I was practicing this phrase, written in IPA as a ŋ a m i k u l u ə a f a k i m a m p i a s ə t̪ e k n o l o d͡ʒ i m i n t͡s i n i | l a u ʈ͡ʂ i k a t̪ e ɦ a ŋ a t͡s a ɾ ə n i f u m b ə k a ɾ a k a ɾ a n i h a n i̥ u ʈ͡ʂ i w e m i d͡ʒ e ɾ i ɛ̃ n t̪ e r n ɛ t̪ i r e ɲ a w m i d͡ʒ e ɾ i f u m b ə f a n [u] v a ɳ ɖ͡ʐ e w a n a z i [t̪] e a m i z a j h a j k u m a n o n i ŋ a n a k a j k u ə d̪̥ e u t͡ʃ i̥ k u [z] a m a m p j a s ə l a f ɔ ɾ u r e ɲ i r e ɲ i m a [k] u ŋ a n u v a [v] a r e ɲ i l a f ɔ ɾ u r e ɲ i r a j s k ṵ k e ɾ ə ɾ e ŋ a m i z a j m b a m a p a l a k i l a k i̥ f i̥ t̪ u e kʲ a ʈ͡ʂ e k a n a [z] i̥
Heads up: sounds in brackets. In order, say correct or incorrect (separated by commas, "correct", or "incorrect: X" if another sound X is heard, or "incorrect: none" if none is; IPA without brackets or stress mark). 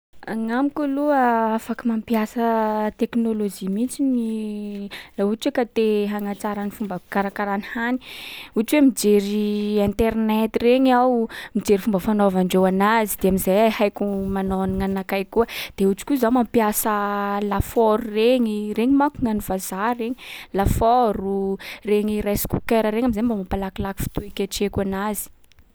incorrect: o, incorrect: d̪, correct, correct, incorrect: z, correct